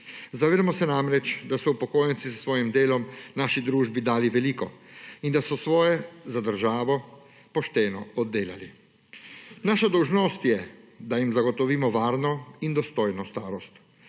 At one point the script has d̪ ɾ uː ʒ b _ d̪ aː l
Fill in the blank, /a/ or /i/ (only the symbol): i